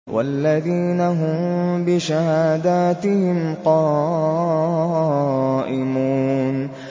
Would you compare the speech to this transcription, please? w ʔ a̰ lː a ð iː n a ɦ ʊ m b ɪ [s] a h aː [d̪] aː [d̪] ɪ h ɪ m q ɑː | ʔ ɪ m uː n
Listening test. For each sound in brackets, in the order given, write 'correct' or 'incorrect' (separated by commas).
incorrect, correct, incorrect